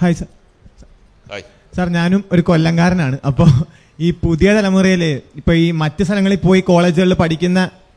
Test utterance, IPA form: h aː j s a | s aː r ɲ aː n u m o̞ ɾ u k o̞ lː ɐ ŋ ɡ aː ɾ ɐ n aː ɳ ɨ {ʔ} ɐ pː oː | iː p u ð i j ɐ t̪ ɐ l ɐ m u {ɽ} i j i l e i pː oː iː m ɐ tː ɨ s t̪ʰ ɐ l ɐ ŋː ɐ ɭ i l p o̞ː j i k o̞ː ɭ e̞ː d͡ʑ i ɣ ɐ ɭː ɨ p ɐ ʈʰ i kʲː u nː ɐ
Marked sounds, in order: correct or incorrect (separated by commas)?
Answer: correct, incorrect